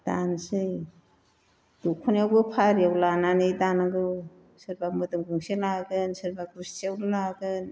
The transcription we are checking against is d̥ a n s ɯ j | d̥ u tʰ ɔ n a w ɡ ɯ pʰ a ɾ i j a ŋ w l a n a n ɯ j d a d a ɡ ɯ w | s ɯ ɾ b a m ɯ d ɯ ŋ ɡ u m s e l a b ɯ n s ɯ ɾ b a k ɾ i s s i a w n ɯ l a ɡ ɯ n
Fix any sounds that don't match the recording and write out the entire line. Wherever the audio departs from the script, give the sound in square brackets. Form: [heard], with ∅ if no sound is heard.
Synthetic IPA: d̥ a n s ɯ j | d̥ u [kʰ] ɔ n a w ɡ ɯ pʰ a ɾ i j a [∅] w l a n a n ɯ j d a [n] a ɡ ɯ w | s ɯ ɾ b a m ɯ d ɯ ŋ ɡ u [ŋ] s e l a [ɡ] ɯ n s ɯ ɾ b a k ɾ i s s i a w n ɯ l a ɡ ɯ n

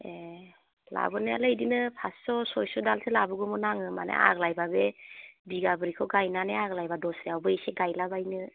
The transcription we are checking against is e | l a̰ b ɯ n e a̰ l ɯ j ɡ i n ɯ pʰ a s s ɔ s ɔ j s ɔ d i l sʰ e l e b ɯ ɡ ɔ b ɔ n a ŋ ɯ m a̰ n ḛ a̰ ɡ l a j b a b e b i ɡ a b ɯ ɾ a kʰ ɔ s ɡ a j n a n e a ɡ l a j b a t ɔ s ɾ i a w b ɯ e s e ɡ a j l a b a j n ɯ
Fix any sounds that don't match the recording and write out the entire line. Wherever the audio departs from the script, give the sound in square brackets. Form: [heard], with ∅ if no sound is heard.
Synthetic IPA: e | l a̰ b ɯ n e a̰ l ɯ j [d] i n ɯ pʰ a s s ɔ s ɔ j s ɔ d [a] l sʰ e l [a] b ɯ ɡ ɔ [m] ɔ n a ŋ ɯ m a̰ n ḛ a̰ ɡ l a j b a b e b i ɡ a b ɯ ɾ [i] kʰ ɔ [∅] ɡ a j n a n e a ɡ l a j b a [d] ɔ s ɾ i a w b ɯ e s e ɡ a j l a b a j n ɯ

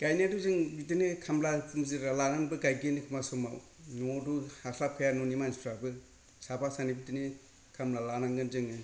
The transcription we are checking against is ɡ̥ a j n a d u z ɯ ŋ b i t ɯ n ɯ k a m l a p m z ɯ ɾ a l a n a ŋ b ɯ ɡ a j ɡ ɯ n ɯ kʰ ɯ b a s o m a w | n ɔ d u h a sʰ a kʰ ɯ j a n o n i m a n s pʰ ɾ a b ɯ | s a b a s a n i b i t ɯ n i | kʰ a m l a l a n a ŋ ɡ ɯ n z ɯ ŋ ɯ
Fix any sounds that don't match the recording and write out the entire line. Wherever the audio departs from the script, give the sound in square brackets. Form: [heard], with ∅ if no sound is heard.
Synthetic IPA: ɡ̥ a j n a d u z ɯ ŋ b i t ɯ n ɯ [kʰ] a m l a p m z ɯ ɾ a l a n a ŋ b ɯ ɡ a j ɡ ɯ n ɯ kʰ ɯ [m] a s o m a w | n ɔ d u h a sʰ a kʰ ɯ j a n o n i m a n s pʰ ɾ a b ɯ | s a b a s a n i b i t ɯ n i | kʰ a m l a l a n a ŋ ɡ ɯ n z ɯ ŋ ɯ

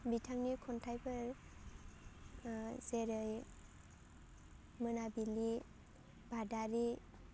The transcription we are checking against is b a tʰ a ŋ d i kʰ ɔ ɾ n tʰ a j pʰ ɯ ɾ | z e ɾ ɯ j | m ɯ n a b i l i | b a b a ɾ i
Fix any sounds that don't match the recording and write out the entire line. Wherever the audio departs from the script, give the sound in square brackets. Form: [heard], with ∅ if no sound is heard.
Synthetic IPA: b [i] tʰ a ŋ [n] i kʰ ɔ [∅] n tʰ a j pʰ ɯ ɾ | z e ɾ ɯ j | m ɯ n a b i l i | b a [d] a ɾ i

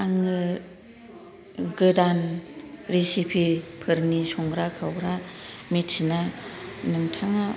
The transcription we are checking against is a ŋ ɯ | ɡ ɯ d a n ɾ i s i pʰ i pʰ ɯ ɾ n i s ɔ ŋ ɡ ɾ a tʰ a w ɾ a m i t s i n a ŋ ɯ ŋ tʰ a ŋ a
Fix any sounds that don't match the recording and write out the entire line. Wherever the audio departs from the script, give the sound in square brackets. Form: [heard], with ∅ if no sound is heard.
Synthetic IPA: a ŋ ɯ | ɡ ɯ d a n ɾ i s i pʰ i pʰ ɯ ɾ n i s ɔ ŋ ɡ ɾ a [kʰ] a w ɾ a m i t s i n a [n] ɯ ŋ tʰ a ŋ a

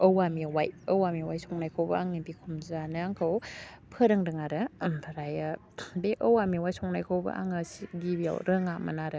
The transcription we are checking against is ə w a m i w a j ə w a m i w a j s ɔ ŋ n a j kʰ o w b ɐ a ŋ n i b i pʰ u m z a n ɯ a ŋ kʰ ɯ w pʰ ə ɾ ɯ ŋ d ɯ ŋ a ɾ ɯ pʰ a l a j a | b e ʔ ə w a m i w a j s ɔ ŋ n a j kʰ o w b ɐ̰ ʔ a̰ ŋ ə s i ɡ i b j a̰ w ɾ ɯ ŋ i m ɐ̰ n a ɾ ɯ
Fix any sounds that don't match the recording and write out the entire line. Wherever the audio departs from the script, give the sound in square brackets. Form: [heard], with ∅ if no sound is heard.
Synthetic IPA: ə w a m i w a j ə w a m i w a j s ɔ ŋ n a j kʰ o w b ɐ a ŋ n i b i [kʰ] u m z a n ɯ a ŋ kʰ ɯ w pʰ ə ɾ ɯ ŋ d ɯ ŋ a ɾ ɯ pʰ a [ɾ] a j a | b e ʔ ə w a m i w a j s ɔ ŋ n a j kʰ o w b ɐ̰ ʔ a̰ ŋ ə s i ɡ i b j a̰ w ɾ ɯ ŋ [a] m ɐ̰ n a ɾ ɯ

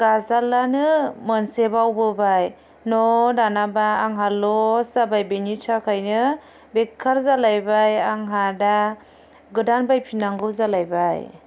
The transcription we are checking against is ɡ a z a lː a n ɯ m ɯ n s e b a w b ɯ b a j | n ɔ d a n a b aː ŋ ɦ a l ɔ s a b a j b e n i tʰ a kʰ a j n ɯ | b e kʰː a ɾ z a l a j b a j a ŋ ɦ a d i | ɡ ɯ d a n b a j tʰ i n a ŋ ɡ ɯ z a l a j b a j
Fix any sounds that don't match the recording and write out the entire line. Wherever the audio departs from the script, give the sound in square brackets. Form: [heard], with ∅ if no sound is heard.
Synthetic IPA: ɡ a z a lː a n ɯ m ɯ n s e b a w b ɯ b a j | n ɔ d a n a b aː ŋ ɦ a l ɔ s a b a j b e n i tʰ a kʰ a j n ɯ | b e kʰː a ɾ z a l a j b a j a ŋ ɦ a d [a] | ɡ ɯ d a n b a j [pʰ] i n a ŋ ɡ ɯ z a l a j b a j

